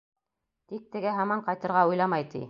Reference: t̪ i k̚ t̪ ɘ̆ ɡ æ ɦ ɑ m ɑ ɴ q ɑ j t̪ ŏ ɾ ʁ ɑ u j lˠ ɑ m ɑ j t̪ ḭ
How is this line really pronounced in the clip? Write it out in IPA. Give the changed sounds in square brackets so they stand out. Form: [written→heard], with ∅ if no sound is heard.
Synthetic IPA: t̪ i k̚ t̪ ɘ̆ ɡ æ ɦ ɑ m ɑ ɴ q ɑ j t̪ [ŏ→ɤ̆] ɾ ʁ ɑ u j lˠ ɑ m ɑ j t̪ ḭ

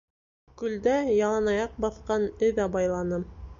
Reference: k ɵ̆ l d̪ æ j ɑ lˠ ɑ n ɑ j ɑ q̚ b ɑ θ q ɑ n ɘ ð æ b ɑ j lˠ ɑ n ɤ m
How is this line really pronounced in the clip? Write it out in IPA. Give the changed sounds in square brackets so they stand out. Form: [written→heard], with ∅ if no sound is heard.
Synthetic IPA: k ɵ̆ l d̪ æ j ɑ lˠ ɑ n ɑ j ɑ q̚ b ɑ θ q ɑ n ɘ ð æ b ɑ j lˠ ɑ n ɤ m

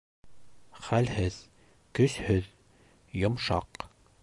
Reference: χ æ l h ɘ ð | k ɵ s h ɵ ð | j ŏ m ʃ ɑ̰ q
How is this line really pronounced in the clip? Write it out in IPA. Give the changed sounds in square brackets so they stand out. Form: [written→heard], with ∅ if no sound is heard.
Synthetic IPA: χ æ l h ɘ ð | k ɵ s h ɵ ð | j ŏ m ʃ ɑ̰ q

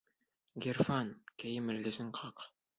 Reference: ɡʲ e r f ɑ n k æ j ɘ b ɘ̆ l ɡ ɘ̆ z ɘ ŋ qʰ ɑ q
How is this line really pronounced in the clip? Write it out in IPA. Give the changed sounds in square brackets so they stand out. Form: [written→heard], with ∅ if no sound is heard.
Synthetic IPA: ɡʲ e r f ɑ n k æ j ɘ [b→m] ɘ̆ l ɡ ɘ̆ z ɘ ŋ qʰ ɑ q

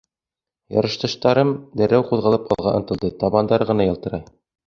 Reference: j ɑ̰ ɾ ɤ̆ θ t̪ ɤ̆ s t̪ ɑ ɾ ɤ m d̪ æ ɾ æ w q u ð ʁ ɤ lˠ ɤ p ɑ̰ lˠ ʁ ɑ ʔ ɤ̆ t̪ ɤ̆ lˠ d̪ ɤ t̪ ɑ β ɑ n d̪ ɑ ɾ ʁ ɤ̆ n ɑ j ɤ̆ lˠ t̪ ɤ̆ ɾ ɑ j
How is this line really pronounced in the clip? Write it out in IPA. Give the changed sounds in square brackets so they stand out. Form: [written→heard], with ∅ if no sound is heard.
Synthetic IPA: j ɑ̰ ɾ ɤ̆ [θ→ʃ] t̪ ɤ̆ [s→ʃ] t̪ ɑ ɾ ɤ m d̪ æ ɾ æ w q u ð ʁ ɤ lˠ ɤ p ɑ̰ lˠ ʁ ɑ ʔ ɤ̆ t̪ ɤ̆ lˠ d̪ ɤ t̪ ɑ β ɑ n d̪ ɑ ɾ ʁ ɤ̆ n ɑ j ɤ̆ lˠ t̪ ɤ̆ ɾ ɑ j

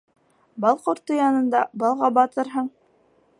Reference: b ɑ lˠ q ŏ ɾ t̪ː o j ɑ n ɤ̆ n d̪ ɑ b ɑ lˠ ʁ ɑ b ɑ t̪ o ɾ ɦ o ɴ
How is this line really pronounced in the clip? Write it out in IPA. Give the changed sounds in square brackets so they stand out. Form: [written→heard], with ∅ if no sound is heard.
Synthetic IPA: b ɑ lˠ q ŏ ɾ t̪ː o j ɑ n ɤ̆ n d̪ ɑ b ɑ lˠ ʁ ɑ b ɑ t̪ [o→ɤ] ɾ ɦ [o→ɤ] ɴ

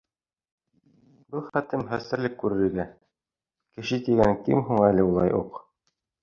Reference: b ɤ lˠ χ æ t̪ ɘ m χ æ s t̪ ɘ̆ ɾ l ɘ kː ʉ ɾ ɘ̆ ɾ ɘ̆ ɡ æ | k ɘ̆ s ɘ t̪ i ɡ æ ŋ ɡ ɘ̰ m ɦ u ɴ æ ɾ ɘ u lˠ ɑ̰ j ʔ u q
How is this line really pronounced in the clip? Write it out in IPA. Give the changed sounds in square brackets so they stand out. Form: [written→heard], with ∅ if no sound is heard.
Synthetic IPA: b ɤ lˠ χ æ t̪ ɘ m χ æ s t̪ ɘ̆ ɾ l ɘ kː ʉ ɾ ɘ̆ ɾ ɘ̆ ɡ æ | k ɘ̆ [s→ʃ] ɘ t̪ i ɡ æ ŋ [ɡ→k] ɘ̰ m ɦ u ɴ æ [ɾ→l] ɘ u lˠ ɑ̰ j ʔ u q

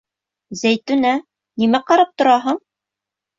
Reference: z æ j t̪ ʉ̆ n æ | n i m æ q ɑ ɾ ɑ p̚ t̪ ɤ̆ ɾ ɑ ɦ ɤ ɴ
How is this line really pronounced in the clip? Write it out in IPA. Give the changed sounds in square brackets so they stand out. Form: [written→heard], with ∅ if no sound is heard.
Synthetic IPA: z æ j t̪ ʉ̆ n æ | n i m æ q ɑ ɾ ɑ p̚ t̪ [ɤ̆→ŏ] ɾ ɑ ɦ ɤ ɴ

